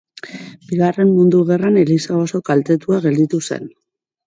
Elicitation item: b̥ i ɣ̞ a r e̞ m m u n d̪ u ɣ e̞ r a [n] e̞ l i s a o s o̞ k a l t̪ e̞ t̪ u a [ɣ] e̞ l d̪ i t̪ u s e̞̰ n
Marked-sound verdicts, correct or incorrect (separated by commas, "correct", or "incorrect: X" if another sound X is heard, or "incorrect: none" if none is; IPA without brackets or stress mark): correct, correct